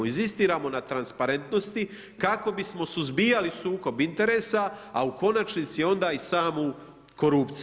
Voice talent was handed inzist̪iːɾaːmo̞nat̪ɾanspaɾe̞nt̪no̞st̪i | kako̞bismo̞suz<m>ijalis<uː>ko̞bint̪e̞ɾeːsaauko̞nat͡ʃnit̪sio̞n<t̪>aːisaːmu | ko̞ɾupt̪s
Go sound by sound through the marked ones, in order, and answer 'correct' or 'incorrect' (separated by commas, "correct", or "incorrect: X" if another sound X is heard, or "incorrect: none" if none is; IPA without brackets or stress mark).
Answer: incorrect: b, correct, incorrect: d̪